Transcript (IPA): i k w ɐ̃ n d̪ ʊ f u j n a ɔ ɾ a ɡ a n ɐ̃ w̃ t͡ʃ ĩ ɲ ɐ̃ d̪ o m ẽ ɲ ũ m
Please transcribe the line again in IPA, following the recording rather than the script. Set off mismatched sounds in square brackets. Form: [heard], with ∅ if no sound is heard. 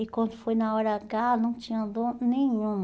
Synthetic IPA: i k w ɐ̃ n d̪ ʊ f [o] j n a ɔ ɾ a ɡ a n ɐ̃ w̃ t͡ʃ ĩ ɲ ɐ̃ d̪ o [n] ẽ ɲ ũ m